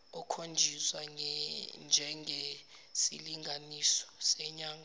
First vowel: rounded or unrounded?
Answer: rounded